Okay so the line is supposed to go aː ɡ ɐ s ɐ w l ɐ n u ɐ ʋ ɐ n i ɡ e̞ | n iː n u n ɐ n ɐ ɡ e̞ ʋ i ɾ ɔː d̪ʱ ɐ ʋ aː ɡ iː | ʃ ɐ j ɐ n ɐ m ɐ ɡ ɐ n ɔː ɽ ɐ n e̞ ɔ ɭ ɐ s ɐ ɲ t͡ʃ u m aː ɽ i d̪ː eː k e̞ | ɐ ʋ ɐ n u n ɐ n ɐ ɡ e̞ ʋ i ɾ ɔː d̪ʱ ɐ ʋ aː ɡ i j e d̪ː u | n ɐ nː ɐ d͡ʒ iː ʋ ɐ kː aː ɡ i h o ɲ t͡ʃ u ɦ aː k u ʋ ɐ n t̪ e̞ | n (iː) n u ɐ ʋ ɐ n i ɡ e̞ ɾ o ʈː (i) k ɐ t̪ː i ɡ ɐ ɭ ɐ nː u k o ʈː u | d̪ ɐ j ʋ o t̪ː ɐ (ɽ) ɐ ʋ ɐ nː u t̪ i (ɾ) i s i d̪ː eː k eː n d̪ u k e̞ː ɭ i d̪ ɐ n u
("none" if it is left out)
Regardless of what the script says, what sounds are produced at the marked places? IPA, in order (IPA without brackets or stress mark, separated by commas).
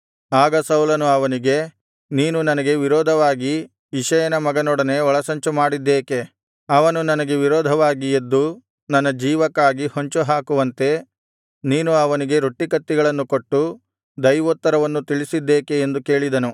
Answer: iː, i, ɾ, ɭ